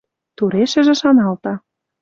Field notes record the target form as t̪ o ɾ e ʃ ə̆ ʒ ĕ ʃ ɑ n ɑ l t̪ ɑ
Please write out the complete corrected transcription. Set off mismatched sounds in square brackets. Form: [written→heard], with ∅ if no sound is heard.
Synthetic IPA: t̪ [o→u] ɾ e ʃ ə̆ ʒ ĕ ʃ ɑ n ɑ l t̪ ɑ